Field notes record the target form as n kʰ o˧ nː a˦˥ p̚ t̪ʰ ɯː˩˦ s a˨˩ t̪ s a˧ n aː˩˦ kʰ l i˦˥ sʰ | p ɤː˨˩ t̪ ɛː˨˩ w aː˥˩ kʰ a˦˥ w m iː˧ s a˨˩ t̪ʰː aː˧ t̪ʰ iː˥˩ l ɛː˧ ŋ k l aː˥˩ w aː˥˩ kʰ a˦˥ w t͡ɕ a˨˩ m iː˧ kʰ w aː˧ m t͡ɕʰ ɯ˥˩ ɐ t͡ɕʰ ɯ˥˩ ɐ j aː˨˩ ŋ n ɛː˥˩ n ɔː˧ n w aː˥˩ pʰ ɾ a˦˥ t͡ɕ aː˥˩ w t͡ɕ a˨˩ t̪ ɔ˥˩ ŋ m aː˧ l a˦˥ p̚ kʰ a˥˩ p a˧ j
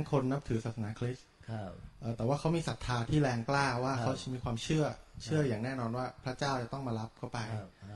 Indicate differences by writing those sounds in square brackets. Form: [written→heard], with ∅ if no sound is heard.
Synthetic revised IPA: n kʰ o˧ nː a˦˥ p̚ t̪ʰ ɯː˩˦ s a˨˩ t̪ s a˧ n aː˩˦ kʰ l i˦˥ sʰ | [p→ʔ] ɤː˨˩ t̪ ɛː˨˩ w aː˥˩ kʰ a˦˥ w m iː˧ s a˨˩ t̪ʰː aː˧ t̪ʰ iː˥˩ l ɛː˧ ŋ k l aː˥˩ w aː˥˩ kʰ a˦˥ w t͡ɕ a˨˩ m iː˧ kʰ w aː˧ m t͡ɕʰ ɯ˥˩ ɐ t͡ɕʰ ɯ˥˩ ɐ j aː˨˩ ŋ n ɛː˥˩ n ɔː˧ n w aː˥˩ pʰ ɾ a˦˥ t͡ɕ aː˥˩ w t͡ɕ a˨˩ t̪ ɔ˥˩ ŋ m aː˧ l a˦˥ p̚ kʰ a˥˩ p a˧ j